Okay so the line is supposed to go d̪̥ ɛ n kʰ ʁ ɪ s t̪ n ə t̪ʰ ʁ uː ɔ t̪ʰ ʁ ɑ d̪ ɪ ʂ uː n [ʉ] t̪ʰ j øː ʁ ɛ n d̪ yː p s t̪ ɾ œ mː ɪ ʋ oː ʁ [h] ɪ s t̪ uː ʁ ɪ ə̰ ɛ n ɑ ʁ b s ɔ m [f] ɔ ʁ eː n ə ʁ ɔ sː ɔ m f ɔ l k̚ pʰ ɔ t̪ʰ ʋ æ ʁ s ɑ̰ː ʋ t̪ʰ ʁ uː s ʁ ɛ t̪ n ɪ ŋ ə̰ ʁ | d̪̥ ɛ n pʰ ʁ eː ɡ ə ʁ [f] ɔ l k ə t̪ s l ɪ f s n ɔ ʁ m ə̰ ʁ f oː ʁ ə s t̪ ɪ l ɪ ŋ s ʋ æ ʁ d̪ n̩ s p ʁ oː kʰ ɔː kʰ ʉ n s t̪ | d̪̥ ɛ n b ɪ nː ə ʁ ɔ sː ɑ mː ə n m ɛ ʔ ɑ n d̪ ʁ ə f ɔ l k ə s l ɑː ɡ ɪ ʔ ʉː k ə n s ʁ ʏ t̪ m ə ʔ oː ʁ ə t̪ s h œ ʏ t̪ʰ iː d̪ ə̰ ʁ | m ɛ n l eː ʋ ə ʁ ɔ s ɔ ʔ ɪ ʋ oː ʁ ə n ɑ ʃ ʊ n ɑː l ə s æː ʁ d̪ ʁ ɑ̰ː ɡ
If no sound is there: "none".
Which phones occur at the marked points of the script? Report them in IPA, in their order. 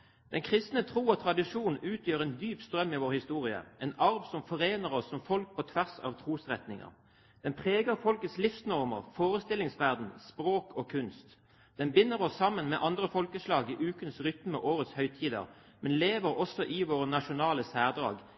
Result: ʉː, h, f, f

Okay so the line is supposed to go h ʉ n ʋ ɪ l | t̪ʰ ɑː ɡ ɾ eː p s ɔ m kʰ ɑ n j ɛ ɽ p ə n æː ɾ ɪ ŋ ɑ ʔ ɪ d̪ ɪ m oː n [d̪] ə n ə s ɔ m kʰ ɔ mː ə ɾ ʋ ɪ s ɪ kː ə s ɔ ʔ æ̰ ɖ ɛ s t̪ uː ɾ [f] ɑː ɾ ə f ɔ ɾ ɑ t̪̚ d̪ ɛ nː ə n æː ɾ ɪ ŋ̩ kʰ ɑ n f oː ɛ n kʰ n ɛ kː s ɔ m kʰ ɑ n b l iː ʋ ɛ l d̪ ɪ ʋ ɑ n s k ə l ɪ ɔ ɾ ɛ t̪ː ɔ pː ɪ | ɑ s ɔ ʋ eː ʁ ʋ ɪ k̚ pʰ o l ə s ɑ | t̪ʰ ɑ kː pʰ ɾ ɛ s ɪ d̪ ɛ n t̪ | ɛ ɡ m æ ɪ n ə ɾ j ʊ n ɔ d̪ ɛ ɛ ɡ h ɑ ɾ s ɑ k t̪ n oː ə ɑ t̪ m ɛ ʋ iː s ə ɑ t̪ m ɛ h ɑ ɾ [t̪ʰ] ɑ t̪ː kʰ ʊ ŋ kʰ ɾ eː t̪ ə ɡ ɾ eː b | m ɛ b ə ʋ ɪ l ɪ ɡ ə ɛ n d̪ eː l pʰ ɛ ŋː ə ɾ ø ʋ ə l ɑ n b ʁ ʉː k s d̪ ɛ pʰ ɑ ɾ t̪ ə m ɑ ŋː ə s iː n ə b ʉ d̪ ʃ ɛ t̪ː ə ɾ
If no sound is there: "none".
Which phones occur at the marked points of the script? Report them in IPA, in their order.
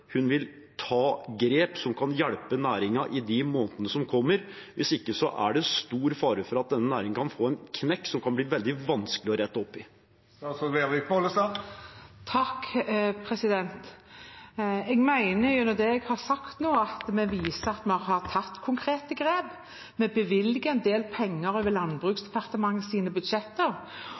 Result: t̪, f, t̪ʰ

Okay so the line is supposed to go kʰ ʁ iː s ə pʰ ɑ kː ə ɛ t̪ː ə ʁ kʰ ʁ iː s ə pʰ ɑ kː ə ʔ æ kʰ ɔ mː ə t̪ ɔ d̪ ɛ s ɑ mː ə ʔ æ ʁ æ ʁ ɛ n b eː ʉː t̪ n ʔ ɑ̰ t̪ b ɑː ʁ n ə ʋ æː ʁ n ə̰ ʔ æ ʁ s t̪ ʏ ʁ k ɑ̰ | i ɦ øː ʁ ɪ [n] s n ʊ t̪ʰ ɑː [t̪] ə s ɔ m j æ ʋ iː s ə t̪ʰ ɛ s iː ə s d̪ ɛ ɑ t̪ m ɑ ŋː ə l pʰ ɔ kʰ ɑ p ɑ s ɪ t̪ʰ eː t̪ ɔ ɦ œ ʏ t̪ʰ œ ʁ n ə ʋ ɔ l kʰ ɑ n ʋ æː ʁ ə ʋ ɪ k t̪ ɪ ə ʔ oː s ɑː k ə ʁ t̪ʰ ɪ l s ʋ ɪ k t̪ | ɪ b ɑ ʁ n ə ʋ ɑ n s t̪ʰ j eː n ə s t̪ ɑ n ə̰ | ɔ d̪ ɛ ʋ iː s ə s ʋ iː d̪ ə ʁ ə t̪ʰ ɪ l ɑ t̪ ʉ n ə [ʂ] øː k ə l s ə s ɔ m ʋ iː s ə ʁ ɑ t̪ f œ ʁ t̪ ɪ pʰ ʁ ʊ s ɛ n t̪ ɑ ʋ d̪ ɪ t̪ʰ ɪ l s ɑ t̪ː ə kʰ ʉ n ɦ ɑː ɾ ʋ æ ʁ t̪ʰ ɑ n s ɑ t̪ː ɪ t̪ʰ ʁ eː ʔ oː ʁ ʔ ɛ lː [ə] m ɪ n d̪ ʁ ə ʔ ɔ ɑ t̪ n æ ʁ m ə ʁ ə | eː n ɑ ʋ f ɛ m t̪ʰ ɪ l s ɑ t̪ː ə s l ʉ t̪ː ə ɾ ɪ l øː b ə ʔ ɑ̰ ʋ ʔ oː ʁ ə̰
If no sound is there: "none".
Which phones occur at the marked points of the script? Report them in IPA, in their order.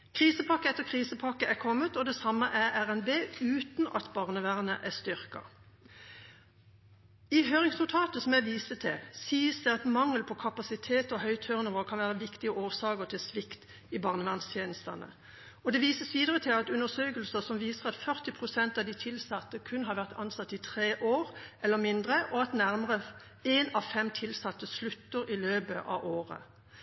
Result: ŋ, t̪, s, ə

